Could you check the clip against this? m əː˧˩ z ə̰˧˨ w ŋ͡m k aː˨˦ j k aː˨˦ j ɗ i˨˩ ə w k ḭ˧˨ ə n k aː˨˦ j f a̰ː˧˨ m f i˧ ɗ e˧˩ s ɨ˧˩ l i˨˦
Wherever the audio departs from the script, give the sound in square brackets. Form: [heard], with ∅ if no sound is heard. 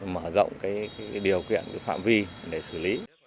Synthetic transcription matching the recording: m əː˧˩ z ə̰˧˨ w ŋ͡m k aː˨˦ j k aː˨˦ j ɗ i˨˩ ə w k ḭ˧˨ ə n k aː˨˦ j f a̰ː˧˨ m [v] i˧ ɗ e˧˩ s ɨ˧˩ l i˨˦